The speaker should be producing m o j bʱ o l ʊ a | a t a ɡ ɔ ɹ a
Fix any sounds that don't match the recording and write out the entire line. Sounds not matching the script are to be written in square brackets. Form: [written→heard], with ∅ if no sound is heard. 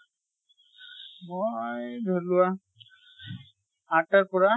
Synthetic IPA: m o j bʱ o l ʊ a | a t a [ɡ→k] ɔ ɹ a